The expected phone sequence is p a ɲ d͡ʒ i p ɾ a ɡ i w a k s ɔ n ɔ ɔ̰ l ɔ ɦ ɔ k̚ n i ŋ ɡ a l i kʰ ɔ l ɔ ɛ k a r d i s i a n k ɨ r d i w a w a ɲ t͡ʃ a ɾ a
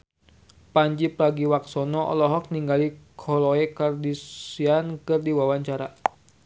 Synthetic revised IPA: p a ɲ d͡ʒ i p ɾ a ɡ i w a k s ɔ n ɔ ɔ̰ l ɔ ɦ ɔ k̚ n i ŋ ɡ a l i kʰ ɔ l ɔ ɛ k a r d i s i a n k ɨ r d i w a w a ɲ t͡ʃ a ɾ a

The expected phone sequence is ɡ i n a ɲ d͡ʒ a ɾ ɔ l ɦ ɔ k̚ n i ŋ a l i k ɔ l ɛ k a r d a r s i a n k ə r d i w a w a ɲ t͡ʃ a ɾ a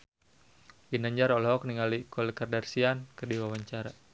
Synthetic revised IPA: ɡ i n a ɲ d͡ʒ a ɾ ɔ l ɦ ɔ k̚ n i ŋ a l i k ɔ l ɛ k a r d a r s i a n k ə r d i w a w a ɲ t͡ʃ a ɾ a

